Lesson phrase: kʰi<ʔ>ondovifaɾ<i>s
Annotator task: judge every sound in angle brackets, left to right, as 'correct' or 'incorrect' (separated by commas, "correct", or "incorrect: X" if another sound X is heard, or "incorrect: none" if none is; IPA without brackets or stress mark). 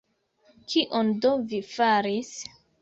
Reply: correct, correct